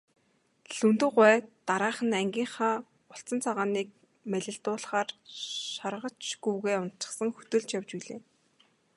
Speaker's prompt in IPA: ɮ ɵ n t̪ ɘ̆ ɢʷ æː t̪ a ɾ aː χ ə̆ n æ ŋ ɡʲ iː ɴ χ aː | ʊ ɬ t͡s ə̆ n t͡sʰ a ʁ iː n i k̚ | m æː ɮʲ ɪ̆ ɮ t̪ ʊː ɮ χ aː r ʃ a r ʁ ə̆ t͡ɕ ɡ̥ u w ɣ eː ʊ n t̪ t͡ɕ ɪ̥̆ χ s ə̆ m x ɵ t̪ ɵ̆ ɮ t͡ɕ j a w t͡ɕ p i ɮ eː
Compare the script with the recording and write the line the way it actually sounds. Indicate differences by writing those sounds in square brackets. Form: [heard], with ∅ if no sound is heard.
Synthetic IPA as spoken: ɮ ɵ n t̪ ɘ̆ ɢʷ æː t̪ a ɾ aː χ ə̆ n æ ŋ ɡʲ iː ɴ χ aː | ʊ ɬ t͡s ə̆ n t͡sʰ a ʁ [aː] n [iː] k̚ | m [æ] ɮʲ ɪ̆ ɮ t̪ ʊː ɮ χ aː r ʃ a r ʁ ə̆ t͡ɕ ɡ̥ u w ɣ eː ʊ n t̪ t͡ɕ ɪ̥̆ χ s ə̆ [ŋ] x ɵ t̪ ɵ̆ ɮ t͡ɕ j a w t͡ɕ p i ɮ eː

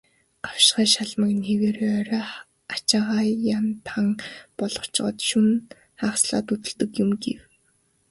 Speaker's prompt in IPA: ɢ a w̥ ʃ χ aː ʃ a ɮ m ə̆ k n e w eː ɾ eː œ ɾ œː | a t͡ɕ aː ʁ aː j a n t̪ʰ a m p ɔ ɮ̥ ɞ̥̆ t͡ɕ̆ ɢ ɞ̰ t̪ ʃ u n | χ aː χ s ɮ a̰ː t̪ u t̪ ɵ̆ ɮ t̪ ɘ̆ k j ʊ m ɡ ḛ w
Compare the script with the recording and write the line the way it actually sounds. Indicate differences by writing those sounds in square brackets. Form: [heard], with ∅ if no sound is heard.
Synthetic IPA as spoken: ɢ a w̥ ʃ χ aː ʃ a ɮ m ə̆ k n e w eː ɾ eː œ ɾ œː | a t͡ɕ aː ʁ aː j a n t̪ʰ a [ŋ] p ɔ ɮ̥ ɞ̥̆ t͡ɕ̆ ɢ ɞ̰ t̪ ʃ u n | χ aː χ s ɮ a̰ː t̪ u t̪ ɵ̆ ɮ t̪ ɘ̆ k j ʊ m ɡ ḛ w

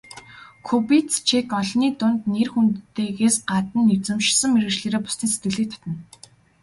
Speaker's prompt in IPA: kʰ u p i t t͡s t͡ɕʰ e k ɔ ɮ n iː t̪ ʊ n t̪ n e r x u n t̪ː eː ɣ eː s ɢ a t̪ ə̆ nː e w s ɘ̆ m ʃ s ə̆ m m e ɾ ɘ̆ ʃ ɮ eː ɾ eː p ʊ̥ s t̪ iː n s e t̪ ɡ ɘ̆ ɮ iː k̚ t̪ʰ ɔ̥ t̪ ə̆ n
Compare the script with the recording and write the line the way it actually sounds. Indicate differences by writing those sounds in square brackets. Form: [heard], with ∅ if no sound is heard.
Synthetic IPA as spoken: kʰ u p i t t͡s t͡ɕʰ e k ɔ ɮ n iː t̪ ʊ n t̪ n e r x u n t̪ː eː ɣ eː s ɢ a t̪ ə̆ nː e w [t͡s] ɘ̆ m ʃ s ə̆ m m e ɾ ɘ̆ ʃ ɮ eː ɾ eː p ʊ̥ s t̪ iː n s e t̪ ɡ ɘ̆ ɮ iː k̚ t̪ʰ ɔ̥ t̪ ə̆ n

